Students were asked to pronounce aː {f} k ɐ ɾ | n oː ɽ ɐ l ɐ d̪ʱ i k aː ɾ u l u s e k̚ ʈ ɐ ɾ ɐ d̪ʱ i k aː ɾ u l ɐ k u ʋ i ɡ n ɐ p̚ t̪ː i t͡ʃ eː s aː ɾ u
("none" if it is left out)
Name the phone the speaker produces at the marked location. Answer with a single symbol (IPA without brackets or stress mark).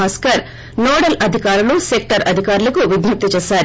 s